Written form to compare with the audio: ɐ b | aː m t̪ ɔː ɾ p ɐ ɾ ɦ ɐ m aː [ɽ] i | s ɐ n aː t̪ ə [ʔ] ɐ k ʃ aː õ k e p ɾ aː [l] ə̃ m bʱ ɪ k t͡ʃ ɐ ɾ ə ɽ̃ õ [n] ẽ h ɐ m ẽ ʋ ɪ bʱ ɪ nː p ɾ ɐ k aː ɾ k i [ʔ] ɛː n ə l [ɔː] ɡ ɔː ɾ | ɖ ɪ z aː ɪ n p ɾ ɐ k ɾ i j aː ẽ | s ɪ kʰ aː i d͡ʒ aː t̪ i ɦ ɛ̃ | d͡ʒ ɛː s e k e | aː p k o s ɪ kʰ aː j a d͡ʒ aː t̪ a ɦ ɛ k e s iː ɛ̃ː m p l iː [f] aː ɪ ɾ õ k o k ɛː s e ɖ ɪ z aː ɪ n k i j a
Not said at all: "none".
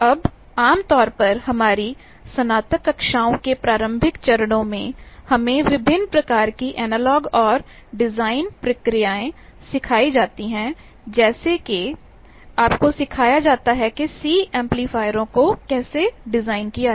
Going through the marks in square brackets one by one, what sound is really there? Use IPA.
ɾ, k, ɾ, m, ʔ, ɔː, f

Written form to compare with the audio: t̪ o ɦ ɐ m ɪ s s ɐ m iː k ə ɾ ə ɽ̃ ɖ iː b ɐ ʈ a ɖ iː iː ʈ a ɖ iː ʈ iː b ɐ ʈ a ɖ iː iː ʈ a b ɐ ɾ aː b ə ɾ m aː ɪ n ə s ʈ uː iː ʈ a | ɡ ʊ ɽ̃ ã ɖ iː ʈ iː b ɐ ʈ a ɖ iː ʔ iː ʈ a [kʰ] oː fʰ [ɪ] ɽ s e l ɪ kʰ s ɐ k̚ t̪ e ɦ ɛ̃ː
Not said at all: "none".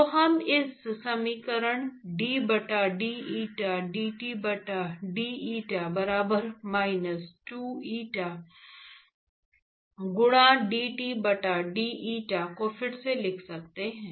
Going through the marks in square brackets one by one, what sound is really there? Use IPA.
k, ɪ

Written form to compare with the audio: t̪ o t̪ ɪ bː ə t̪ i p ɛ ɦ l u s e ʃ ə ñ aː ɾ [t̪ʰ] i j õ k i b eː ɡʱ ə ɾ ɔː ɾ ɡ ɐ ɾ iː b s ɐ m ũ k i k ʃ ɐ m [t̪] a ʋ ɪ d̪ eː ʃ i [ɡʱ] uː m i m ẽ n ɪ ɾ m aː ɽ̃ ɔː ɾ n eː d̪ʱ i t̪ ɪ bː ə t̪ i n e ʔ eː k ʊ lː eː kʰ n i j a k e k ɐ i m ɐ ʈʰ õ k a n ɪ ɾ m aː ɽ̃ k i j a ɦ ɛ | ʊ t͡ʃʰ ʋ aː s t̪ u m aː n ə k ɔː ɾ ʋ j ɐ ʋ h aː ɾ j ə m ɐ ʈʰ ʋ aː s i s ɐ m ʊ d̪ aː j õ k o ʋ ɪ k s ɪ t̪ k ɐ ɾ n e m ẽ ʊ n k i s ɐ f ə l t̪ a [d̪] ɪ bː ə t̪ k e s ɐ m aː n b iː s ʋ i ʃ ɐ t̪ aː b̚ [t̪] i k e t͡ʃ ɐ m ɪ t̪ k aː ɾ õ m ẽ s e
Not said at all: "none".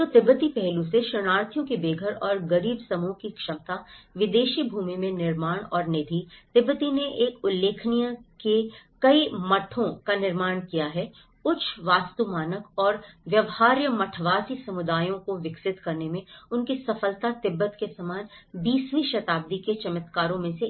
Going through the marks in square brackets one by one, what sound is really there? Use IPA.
t̪ʰ, t̪, bʱ, t̪, d̪

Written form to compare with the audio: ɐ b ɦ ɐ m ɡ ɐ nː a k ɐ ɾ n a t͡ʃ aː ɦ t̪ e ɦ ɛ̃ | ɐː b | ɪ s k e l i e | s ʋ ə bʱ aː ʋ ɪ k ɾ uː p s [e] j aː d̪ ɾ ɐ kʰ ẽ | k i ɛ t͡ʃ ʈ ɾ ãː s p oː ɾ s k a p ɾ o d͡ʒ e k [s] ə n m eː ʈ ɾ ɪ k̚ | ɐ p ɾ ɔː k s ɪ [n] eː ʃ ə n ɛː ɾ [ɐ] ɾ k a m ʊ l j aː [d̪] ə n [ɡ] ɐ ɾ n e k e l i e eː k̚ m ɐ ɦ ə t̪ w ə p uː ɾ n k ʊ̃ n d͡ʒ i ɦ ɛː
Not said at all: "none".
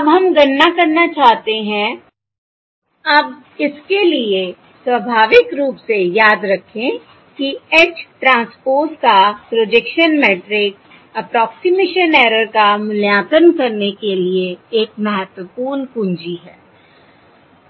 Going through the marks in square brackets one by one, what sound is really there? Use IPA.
e, ʃ, m, ə, t̪, k

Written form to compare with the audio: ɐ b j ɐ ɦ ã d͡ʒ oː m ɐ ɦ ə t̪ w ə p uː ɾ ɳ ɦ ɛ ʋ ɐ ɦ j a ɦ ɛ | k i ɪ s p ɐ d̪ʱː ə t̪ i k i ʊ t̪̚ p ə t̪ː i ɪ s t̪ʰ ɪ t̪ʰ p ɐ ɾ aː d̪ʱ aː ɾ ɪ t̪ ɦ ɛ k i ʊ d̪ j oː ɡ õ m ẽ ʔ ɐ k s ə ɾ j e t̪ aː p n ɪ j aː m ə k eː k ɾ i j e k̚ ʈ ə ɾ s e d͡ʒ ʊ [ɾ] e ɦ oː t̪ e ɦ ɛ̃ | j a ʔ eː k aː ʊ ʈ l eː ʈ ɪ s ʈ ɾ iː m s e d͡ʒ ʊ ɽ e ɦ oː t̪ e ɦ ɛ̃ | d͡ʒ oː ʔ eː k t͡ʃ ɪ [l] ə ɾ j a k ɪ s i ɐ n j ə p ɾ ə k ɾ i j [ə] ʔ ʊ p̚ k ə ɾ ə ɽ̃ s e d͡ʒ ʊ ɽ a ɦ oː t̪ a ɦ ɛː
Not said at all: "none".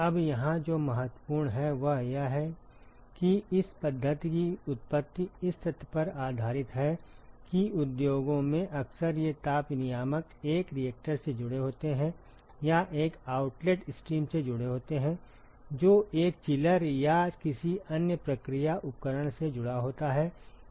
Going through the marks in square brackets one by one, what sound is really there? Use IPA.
ɽ, l, a

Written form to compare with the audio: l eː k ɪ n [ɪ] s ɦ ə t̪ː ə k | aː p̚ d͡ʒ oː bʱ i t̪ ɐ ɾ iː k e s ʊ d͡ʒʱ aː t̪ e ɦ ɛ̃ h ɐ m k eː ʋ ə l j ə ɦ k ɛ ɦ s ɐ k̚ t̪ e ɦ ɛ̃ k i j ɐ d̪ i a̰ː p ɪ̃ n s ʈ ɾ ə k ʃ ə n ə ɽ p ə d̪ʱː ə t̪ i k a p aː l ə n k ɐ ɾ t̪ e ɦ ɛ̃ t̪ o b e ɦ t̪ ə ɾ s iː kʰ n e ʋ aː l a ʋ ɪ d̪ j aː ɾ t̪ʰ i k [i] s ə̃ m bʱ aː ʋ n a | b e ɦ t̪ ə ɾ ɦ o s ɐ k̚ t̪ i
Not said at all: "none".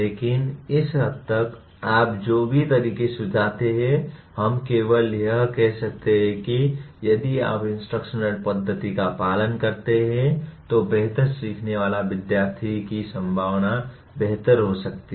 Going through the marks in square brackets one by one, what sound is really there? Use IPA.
ɪ, i

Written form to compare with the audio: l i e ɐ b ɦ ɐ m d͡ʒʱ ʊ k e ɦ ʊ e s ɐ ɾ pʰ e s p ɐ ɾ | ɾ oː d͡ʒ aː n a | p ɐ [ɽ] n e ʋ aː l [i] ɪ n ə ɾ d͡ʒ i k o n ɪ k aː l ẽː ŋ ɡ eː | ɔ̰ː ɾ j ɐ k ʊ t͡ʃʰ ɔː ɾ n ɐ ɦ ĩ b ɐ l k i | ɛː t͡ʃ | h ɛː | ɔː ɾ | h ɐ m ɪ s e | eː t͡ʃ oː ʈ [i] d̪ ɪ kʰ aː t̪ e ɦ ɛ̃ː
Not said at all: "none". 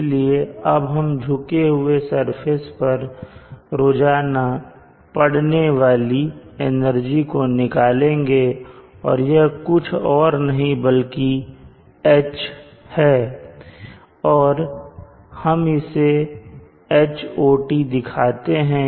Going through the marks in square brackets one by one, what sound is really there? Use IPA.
ɽ, i, i

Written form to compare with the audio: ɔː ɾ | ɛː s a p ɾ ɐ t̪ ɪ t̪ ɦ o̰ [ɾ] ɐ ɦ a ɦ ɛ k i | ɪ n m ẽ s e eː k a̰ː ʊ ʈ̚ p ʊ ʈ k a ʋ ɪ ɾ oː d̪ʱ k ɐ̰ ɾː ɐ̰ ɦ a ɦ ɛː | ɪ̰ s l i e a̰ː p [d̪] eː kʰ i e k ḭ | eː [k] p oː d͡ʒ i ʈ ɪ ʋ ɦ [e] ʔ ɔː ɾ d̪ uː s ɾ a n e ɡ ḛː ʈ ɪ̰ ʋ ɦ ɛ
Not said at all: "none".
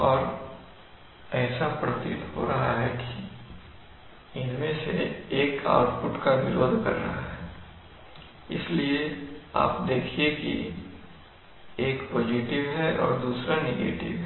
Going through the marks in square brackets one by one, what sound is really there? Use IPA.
ɾ, d̪, k, ɛ

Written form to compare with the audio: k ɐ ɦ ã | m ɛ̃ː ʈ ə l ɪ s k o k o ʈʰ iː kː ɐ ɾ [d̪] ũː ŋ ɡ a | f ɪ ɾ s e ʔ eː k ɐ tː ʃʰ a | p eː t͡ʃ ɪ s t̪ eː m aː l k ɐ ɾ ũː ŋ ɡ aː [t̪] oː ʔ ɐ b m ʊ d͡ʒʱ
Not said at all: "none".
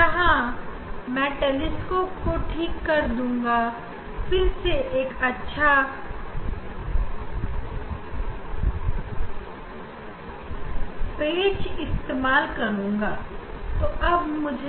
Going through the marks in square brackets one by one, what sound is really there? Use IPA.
d̪, t̪

